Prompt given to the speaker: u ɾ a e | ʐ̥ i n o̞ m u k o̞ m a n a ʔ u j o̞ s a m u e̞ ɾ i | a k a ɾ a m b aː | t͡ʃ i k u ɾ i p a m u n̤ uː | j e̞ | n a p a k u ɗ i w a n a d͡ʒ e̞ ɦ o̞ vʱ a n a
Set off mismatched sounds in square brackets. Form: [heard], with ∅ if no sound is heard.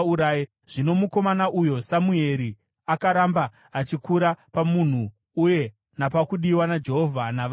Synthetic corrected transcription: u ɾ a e | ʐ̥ i n o̞ m u k o̞ m a n a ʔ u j o̞ s a m u e̞ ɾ i | a k a ɾ a m b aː | t͡ʃ i k u ɾ [a] p a m u n̤ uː | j e̞ | n a p a k u ɗ i w a n a d͡ʒ e̞ ɦ o̞ vʱ a n a